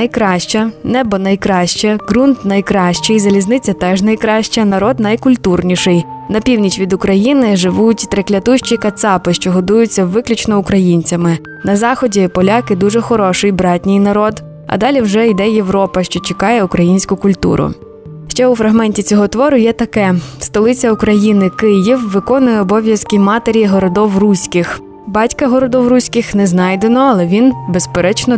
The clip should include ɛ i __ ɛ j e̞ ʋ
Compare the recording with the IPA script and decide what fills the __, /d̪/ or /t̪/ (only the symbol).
d̪